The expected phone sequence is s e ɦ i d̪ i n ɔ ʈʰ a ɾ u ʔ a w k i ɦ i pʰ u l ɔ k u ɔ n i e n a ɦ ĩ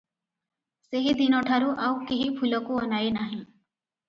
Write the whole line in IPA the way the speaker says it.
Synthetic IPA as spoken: s e ɦ i d̪ i n ɔ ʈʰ a ɾ u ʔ a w k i ɦ i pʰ u l ɔ k u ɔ n a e n a ɦ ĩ